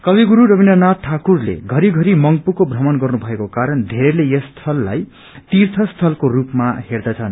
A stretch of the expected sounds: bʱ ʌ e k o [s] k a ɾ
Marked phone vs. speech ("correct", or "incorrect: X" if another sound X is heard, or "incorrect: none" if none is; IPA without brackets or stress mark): incorrect: none